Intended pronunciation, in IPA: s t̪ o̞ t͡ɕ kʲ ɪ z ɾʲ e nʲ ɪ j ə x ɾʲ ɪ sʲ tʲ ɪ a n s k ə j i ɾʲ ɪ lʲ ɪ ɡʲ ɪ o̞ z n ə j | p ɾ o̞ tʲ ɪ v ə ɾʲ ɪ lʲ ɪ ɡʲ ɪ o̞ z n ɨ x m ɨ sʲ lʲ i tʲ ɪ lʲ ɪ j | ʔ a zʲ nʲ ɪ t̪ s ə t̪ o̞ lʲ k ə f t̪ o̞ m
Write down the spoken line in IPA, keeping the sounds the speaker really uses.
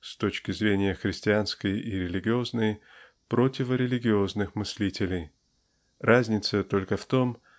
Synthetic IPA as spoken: s t̪ o̞ t͡ɕ kʲ ɪ z ɾʲ e nʲ ɪ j ə x ɾʲ ɪ sʲ tʲ ɪ a n s k ə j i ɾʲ ɪ lʲ ɪ ɡʲ ɪ o̞ z n ə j | p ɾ o̞ tʲ ɪ v ə ɾʲ ɪ lʲ ɪ ɡʲ ɪ o̞ z n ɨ x m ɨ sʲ lʲ i tʲ ɪ lʲ ɪ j | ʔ a zʲ nʲ ɪ t̪ s ə t̪ o̞ lʲ k ə f t̪ o̞ m

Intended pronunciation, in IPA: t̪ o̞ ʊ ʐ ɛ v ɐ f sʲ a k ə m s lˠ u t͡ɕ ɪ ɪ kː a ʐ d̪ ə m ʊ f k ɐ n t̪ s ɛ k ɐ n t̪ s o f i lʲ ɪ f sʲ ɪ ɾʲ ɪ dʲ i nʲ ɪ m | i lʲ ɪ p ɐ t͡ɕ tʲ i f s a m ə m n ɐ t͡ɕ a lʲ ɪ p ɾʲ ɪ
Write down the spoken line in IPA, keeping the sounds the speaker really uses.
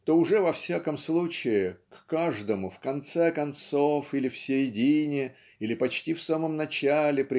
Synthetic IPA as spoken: t̪ o̞ ʊ ʐ ɛ v ɐ f sʲ a k ə m s lˠ u t͡ɕ ɪ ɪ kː a ʐ d̪ ə m ʊ f k ɐ n t̪ s ɛ k ɐ n t̪ s o f i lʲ ɪ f sʲ ɪ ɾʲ ɪ dʲ i nʲ ɪ | i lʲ ɪ p ɐ t͡ɕ tʲ i f s a m ə m n ɐ t͡ɕ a lʲ ɪ p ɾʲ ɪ

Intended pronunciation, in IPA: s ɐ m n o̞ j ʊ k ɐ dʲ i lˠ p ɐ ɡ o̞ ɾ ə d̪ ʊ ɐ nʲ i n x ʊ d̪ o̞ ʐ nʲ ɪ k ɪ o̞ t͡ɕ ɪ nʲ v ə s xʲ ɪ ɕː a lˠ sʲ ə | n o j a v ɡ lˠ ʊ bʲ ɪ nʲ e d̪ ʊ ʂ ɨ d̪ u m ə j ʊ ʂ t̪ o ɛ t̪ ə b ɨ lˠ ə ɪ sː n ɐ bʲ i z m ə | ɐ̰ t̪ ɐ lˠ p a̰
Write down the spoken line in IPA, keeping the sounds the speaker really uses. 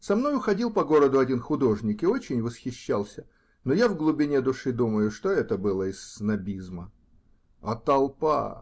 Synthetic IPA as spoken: s ɐ m n o̞ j ʊ x ɐ dʲ i lˠ p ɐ ɡ o̞ ɾ ə d̪ ʊ ɐ dʲ i n x ʊ d̪ o̞ ʐ nʲ ɪ k ɪ o̞ t͡ɕ ɪ nʲ v ə s xʲ ɪ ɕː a lˠ sʲ ə | n o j a v ɡ lˠ ʊ bʲ ɪ nʲ e d̪ ʊ ʂ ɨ d̪ u m ə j ʊ ʂ t̪ o ɛ t̪ ə b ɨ lˠ ə ɪ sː n ɐ bʲ i z m ə | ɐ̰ t̪ ɐ lˠ p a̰

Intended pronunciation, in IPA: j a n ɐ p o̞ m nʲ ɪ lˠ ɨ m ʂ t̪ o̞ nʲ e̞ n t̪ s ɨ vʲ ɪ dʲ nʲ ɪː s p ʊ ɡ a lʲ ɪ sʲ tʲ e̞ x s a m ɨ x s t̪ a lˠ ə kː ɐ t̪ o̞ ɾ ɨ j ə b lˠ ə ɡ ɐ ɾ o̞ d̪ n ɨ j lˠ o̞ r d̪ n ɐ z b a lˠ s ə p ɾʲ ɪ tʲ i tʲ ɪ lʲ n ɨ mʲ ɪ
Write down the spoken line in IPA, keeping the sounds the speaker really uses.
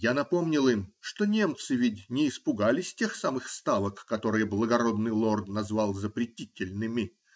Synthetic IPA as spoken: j a n ɐ p o̞ m nʲ ɪ lˠ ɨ m ʂ t̪ o̞ nʲ e̞ m t̪ s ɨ vʲ ɪ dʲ nʲ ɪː s p ʊ ɡ a lʲ ɪ sʲ tʲ e̞ x s a m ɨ x s t̪ a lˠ ə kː ɐ t̪ o̞ ɾ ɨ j ə b lˠ ə ɡ ɐ ɾ o̞ d̪ n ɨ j lˠ o̞ r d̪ n ɐ z v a lˠ z ə p ɾʲ ɪ tʲ i tʲ ɪ lʲ n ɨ mʲ ɪ

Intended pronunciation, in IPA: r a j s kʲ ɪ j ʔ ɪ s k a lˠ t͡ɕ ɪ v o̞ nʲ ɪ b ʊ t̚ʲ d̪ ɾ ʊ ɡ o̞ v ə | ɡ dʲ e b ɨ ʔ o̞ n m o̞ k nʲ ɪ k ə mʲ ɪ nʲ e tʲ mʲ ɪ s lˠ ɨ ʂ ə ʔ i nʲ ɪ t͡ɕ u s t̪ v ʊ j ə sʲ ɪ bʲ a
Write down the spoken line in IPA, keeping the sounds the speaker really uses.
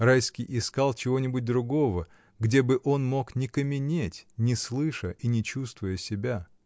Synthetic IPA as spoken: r a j s kʲ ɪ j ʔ ɪ s k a lˠ t͡ɕ ɪ v o̞ nʲ ɪ b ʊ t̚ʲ d̪ ɾ ʊ ɡ o̞ v ə | ɡ dʲ e b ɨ ʔ o̞ n m o̞ k nʲ ɪ k ə mʲ ɪ nʲ e tʲ nʲ ɪ s lˠ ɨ ʂ ə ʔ i nʲ ɪ t͡ɕ u s t̪ v ʊ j ə sʲ ɪ bʲ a

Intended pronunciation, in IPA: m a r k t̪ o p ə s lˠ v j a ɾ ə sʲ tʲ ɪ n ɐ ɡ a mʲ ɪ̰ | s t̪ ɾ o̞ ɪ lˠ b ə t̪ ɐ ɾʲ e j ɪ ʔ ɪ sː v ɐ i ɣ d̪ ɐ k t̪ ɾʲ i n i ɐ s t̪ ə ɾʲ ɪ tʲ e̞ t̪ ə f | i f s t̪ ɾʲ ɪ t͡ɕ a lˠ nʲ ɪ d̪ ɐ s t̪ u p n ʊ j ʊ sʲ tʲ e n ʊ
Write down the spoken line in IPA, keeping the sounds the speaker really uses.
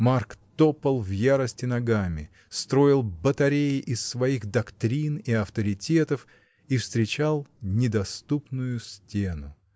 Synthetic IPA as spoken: m a r k t̪ o p ə lˠ v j a ɾ ə sʲ tʲ ɪ n ɐ ɡ a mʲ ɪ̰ | s t̪ ɾ o̞ ɪ lˠ b ə t̪ ɐ ɾʲ e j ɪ ʔ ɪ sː v ɐ i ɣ d̪ ɐ k t̪ ɾʲ i n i ɐ f t̪ ə ɾʲ ɪ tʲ e̞ t̪ ə f | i f s t̪ ɾʲ ɪ t͡ɕ a lˠ nʲ ɪ d̪ ɐ s t̪ u p n ʊ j ʊ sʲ tʲ e n ʊ

